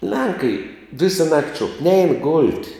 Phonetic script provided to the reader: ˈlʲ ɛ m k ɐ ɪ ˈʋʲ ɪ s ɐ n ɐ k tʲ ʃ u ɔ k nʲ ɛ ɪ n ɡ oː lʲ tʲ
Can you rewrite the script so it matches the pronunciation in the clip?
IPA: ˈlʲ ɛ ŋ k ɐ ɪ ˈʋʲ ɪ s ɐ n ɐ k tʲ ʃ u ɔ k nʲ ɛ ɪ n ɡ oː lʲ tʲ